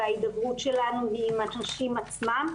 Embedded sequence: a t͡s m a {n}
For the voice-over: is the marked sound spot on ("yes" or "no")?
no